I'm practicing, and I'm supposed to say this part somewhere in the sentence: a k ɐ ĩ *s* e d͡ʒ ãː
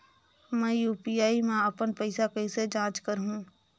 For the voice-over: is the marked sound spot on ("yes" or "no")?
yes